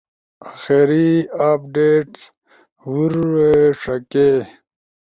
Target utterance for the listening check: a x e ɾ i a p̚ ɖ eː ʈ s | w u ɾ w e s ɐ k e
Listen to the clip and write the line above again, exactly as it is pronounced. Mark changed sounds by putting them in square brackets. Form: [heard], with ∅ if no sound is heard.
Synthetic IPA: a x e ɾ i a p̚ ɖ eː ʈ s | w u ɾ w e [ʂ] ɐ k e